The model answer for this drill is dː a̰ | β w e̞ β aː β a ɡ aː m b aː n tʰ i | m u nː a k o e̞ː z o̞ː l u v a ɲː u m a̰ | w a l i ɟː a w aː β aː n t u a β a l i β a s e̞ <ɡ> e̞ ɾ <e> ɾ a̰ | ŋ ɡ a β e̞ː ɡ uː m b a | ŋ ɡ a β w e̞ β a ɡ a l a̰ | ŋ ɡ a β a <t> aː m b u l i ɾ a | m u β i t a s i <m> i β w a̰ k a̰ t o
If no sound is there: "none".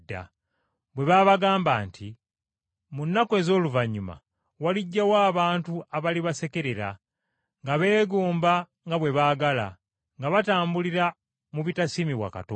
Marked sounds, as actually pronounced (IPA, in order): k, e, t, m

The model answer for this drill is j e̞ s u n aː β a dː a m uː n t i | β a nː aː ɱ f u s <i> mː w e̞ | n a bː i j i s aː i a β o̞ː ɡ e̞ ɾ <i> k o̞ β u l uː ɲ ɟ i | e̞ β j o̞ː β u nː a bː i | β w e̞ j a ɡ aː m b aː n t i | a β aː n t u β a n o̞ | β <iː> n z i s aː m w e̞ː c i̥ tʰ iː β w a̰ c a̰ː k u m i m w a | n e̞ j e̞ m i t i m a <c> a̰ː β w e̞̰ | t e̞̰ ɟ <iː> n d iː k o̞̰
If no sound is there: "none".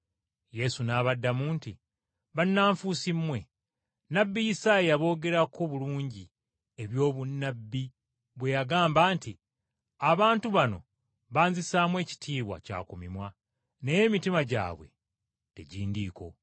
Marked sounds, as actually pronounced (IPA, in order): i, a, aː, ɟ, iː

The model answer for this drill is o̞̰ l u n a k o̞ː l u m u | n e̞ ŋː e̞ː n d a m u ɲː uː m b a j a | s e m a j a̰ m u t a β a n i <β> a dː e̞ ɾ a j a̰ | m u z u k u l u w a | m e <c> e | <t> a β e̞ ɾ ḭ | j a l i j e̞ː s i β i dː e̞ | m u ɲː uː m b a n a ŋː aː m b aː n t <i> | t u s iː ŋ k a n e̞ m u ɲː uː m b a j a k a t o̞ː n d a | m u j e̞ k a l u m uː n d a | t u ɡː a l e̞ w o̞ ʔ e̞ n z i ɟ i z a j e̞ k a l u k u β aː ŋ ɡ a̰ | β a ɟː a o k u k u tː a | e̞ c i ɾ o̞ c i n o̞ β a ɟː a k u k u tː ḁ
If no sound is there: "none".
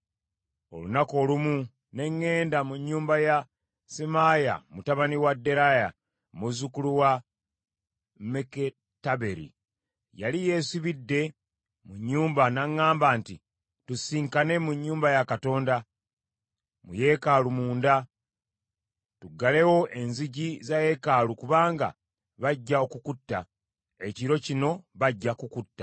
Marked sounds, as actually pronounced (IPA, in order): w, k, t, i

